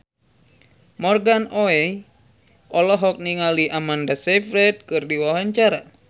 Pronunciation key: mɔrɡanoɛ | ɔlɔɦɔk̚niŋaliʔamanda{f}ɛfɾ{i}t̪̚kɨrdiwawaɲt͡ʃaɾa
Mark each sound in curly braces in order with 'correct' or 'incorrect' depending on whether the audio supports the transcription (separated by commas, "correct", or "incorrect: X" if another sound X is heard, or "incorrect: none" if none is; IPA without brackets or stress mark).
incorrect: s, incorrect: ɛ